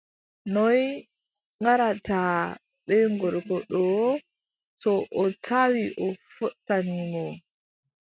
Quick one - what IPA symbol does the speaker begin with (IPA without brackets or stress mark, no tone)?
n